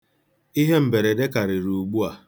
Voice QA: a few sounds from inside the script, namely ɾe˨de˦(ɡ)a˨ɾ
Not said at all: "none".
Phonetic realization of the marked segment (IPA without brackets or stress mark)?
k